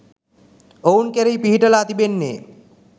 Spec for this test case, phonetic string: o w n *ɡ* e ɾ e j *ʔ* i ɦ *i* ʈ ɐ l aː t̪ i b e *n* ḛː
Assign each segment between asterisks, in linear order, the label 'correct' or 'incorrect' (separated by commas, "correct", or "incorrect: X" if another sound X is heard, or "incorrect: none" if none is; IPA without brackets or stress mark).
incorrect: k, incorrect: p, correct, incorrect: nː